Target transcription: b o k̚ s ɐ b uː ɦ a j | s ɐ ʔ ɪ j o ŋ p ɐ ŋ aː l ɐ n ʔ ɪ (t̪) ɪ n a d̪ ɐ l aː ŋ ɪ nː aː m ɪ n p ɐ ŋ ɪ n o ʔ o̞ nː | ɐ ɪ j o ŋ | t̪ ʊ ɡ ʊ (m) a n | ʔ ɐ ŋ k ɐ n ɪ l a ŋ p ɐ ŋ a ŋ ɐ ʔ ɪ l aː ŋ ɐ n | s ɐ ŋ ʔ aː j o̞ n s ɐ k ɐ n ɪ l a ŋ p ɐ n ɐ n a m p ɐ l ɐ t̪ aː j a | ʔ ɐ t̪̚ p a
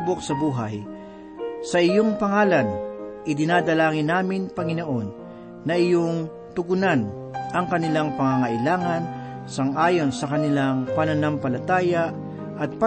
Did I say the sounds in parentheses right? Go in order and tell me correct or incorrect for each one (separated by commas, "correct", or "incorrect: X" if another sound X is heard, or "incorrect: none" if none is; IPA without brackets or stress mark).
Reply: incorrect: d̪, incorrect: n